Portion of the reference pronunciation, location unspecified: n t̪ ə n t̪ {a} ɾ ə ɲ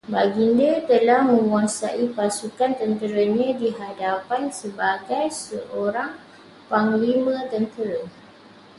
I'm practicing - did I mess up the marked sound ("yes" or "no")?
yes